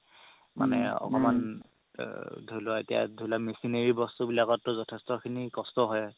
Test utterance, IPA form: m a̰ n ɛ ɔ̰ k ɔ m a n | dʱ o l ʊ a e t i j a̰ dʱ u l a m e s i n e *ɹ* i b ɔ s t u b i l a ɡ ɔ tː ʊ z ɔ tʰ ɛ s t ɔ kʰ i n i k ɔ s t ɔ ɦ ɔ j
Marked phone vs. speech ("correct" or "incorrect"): correct